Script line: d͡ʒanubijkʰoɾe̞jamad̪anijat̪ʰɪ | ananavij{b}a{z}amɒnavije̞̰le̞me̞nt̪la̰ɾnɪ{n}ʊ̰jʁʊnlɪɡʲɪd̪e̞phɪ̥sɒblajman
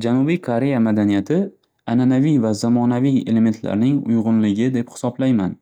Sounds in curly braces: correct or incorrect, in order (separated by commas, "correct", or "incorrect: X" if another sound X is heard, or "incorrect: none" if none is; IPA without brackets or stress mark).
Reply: incorrect: v, correct, incorrect: ŋ